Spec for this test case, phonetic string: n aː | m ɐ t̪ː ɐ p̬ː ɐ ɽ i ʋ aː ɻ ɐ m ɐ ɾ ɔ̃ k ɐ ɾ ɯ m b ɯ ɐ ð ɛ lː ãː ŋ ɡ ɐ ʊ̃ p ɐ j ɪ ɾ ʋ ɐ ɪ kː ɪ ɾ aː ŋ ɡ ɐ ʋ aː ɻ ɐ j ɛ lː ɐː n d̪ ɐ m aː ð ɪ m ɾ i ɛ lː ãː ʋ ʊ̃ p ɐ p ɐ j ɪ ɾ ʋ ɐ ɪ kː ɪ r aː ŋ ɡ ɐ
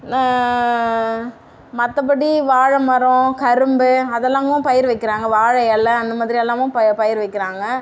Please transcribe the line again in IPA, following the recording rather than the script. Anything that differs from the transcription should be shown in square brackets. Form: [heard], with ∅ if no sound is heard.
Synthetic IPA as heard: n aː | m ɐ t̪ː ɐ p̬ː ɐ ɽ i ʋ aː ɻ ɐ m ɐ ɾ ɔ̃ k ɐ ɾ ɯ m b ɯ ɐ ð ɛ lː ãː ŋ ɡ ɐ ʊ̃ p ɐ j ɪ ɾ ʋ ɐ ɪ kː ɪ ɾ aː ŋ ɡ ɐ ʋ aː ɻ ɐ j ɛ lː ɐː n d̪ ɐ m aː ð ɪ [∅] ɾ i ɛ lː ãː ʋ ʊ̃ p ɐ p ɐ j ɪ ɾ ʋ ɐ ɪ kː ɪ [ɾ] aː ŋ ɡ ɐ